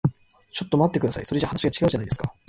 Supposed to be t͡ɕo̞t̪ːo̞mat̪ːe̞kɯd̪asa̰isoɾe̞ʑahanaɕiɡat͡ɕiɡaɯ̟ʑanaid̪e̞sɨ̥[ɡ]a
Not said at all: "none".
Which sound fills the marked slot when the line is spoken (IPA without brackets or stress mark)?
k